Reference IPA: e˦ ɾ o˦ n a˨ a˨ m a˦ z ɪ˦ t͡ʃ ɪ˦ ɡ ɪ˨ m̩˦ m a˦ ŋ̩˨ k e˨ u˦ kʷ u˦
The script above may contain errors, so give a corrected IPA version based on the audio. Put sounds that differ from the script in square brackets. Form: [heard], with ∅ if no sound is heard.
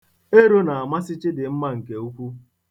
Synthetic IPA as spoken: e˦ ɾ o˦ n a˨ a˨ m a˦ [s] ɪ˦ t͡ʃ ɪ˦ [d] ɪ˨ m̩˦ m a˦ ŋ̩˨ k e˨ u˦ kʷ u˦